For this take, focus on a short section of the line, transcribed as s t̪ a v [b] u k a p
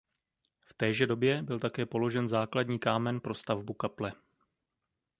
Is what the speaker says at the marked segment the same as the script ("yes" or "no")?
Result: yes